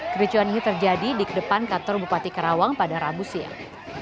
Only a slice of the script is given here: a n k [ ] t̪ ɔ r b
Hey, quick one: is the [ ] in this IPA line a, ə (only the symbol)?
a